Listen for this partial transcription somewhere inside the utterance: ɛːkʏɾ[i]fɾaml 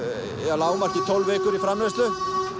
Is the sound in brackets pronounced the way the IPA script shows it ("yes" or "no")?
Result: yes